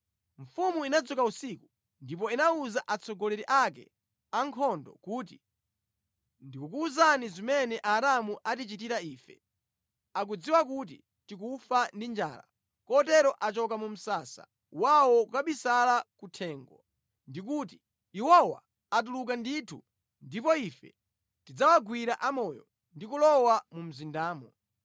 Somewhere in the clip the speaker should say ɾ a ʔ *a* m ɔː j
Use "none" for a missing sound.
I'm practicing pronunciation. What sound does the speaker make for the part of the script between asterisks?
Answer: a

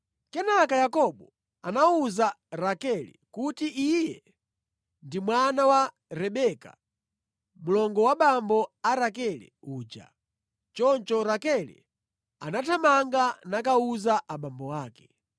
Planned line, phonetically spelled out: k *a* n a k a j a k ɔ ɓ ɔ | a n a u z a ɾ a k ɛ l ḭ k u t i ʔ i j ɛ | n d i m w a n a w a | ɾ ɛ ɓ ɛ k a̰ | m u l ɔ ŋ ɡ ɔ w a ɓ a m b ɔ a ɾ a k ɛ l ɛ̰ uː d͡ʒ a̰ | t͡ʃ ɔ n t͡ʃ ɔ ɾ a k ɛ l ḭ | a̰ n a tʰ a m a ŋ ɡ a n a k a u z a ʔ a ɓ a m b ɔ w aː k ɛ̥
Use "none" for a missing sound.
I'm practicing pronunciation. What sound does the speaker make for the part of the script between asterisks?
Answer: ɛ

